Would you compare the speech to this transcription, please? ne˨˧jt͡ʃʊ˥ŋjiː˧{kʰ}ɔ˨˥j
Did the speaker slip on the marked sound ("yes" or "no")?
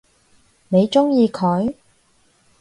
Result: no